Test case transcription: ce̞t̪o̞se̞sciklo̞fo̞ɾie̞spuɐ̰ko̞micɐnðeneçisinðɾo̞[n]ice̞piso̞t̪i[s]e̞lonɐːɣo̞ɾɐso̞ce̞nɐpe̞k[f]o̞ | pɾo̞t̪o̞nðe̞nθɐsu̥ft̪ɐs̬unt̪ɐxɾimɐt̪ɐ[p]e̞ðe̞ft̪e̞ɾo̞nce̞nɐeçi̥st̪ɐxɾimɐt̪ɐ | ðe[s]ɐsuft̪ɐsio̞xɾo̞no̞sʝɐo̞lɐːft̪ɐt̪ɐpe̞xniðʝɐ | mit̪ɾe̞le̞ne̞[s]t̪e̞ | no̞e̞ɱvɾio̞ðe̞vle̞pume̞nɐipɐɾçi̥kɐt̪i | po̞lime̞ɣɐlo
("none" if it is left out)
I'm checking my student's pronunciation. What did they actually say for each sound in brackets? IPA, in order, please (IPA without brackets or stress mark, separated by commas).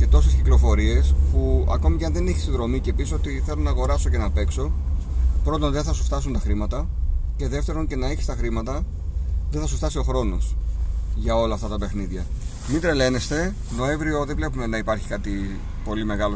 m, θ, s, c, θ, s